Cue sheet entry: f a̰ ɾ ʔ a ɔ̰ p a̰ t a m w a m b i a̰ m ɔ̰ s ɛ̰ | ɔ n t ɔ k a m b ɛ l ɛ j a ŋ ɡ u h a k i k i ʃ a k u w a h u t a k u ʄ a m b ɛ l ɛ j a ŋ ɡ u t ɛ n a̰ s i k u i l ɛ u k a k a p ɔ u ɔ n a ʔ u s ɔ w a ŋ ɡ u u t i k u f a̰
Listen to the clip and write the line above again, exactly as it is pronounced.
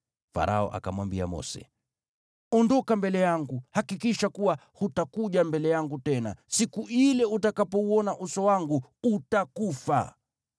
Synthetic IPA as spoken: f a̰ ɾ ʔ a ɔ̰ ʔ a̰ k a m w a m b i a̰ m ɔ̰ s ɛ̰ | ɔ n d ɔ k a m b ɛ l ɛ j a ŋ ɡ u h a k i k i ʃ a k u w a h u t a k u ʄ a m b ɛ l ɛ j a ŋ ɡ u t ɛ n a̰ s i k u i l ɛ u t a k a p ɔ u ɔ n a ʔ u s ɔ w a ŋ ɡ u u t a k u f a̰